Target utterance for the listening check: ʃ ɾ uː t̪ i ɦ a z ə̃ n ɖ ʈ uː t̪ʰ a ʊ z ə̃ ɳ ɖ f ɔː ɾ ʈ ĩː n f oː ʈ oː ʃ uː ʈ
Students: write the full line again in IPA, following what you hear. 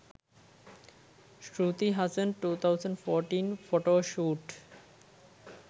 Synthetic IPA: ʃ ɾ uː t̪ i ɦ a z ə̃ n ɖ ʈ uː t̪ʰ a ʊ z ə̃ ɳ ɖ f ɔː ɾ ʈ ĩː n f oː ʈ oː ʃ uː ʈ